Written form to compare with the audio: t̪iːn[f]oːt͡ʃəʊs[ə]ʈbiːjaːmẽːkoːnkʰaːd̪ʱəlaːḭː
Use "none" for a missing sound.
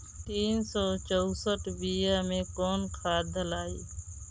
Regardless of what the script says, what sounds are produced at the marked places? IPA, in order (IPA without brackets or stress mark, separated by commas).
s, ə